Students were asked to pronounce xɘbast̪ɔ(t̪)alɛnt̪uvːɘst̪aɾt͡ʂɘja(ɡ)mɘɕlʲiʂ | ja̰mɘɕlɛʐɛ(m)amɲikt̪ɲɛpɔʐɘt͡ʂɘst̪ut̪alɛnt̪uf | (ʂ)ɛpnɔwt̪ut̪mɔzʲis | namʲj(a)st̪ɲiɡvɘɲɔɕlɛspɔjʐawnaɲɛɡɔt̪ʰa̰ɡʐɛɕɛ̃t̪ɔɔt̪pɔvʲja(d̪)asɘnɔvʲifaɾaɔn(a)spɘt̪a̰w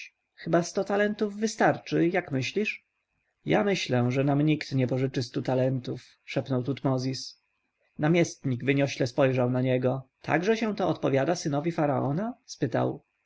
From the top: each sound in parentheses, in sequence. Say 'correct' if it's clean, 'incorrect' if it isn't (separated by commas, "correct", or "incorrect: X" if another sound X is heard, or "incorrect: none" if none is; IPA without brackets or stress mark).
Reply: correct, incorrect: k, incorrect: n, correct, incorrect: ɛ, correct, correct